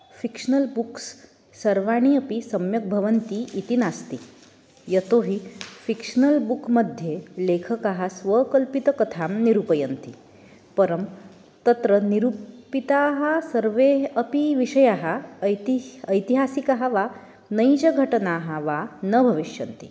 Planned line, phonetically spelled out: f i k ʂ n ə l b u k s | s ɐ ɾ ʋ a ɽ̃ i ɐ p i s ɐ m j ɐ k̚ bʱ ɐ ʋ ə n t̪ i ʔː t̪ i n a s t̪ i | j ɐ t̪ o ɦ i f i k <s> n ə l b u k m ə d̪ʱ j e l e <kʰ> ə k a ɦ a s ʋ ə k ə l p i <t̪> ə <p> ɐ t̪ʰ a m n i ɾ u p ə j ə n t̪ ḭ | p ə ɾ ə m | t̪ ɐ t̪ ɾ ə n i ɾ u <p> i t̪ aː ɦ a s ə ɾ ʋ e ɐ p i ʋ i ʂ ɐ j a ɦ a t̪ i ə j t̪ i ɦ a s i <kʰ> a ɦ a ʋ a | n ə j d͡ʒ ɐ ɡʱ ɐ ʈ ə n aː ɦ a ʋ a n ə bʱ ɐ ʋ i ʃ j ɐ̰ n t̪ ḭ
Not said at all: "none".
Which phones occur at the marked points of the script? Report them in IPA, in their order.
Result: ʂ, kʰ, t̪, k, p, k

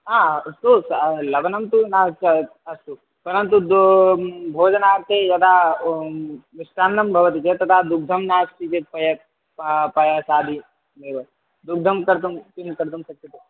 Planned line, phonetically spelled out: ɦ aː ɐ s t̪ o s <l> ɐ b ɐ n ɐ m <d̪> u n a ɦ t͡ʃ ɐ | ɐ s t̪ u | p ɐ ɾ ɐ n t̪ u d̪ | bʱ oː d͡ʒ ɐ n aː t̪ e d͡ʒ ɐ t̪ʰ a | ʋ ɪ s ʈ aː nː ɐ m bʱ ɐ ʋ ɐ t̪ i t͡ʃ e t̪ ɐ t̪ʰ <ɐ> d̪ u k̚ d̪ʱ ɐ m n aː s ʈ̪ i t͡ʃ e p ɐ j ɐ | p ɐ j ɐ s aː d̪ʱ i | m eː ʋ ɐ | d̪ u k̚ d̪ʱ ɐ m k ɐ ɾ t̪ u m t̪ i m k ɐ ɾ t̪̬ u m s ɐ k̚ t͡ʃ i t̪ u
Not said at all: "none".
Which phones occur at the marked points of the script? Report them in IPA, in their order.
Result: l, t̪, a

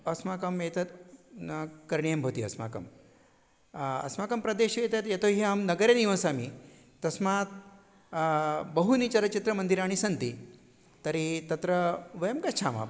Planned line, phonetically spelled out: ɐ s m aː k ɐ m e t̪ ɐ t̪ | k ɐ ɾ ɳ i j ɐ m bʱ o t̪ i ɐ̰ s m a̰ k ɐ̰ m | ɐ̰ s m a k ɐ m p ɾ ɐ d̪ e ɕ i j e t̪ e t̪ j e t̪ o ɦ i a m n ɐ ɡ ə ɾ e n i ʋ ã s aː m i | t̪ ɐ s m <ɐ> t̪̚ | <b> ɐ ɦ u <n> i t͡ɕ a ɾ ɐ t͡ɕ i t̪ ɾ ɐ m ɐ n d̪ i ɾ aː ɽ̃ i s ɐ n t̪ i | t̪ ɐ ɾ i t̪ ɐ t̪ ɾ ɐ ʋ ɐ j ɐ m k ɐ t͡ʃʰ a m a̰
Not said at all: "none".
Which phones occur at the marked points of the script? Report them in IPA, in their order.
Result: a, b, n

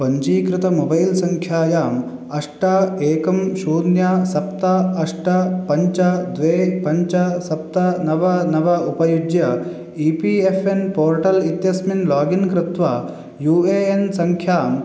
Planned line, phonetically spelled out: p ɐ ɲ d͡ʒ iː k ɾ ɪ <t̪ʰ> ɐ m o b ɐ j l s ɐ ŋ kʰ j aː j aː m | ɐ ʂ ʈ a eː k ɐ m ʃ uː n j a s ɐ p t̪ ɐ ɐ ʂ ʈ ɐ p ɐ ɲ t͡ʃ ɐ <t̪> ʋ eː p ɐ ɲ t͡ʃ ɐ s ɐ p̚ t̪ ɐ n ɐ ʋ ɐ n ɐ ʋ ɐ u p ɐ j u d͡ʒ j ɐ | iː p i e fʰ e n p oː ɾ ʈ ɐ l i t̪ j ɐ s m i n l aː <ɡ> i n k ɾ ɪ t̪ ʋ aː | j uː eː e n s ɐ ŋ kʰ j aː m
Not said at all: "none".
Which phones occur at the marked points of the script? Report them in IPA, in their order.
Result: t̪, d̪, ɡ

